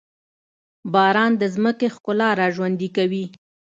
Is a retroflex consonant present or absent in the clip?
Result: absent